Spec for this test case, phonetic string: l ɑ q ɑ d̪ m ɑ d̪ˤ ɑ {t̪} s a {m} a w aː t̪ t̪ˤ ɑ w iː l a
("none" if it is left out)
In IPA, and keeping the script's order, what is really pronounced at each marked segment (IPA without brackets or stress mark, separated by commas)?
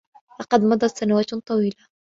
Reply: t̪, n